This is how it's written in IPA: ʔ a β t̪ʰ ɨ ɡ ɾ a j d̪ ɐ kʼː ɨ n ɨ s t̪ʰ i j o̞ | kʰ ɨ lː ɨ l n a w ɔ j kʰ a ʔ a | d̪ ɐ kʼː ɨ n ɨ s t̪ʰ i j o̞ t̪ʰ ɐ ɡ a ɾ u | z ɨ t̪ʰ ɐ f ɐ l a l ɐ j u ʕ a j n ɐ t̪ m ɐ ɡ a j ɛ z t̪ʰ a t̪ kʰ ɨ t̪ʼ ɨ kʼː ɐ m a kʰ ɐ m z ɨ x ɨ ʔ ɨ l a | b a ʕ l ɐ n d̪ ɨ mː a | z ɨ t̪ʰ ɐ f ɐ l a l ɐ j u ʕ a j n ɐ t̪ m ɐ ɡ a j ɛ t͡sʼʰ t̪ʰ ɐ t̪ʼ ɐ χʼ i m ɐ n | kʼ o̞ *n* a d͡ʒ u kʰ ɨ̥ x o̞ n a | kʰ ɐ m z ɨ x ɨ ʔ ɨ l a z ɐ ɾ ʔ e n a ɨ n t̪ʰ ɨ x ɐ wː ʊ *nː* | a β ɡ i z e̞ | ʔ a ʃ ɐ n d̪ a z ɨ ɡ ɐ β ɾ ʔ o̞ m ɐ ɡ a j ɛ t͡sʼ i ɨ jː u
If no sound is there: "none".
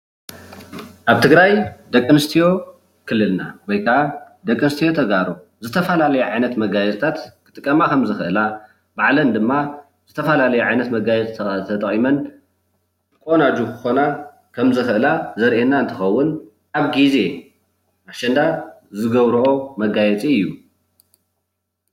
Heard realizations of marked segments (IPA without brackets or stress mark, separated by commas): n, n